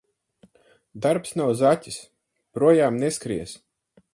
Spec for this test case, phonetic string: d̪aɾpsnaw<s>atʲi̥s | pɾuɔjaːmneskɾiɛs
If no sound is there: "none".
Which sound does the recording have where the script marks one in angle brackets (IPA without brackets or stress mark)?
z